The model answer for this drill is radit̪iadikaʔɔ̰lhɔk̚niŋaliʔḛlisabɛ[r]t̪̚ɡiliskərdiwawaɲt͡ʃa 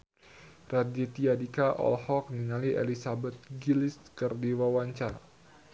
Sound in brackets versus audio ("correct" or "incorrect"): incorrect